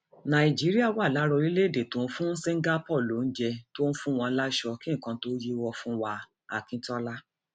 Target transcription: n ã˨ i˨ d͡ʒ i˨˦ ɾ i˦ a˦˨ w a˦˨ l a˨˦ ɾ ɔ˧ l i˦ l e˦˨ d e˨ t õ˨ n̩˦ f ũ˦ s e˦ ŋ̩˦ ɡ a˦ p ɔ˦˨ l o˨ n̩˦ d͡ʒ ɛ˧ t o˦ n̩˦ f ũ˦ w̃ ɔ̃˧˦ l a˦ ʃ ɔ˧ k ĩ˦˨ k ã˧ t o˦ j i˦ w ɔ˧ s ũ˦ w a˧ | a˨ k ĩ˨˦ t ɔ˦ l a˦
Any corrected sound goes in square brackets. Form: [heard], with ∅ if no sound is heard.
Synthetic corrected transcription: n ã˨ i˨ d͡ʒ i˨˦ ɾ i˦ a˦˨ w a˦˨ l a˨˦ ɾ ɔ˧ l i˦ l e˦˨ d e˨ t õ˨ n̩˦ f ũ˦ s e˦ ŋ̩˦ ɡ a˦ p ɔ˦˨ l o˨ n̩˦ d͡ʒ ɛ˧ t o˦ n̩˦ f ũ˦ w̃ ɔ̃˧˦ l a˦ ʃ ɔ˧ k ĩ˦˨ k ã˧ t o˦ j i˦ w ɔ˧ [f] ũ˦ w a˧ | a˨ k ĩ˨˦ t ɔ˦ l a˦